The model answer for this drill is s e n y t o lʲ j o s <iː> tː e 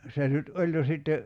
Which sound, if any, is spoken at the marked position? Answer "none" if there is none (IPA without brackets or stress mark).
i